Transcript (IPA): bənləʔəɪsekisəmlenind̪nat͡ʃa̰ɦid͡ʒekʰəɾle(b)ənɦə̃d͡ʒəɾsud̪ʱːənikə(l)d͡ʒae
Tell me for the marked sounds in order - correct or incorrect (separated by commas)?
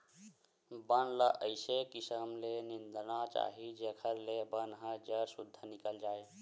correct, correct